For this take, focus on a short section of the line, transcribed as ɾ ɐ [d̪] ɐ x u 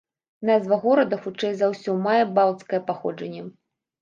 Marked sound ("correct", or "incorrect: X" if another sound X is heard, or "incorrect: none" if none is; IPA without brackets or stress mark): correct